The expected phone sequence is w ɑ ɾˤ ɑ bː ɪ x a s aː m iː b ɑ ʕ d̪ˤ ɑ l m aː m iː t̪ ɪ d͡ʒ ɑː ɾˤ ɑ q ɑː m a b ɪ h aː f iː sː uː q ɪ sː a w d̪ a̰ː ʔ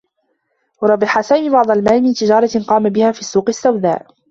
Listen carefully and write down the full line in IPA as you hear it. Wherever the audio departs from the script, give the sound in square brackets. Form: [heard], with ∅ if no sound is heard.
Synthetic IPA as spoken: w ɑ ɾˤ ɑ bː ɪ [ħ] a s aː m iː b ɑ ʕ d̪ˤ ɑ l m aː m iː t̪ ɪ d͡ʒ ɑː ɾˤ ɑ q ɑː m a b ɪ h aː f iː sː uː q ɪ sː a w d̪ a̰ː ʔ